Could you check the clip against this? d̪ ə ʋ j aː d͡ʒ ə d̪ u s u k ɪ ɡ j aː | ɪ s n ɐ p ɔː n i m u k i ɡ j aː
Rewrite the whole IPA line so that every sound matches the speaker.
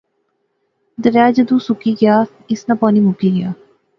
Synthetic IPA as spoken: d̪ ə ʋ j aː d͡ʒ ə d̪ u s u k i ɡ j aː | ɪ s n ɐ p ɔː n i m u k i ɡ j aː